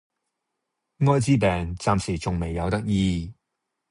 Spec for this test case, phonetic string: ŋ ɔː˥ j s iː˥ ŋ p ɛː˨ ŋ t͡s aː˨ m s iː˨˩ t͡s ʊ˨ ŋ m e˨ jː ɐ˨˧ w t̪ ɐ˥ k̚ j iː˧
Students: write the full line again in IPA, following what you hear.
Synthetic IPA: ŋ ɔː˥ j t͡s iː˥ p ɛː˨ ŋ t͡s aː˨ m s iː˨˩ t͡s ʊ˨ ŋ m e˨ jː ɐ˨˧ w t̪ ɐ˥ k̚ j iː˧